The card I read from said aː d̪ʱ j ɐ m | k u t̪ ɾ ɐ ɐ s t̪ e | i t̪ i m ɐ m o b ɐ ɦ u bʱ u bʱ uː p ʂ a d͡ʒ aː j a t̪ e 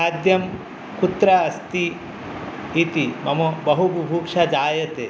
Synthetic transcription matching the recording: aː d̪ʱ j ɐ m | k u t̪ ɾ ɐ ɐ s t̪ i | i t̪ i m ɐ m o b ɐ ɦ u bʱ u bʱ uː k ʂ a d͡ʒ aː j ɐ t̪ e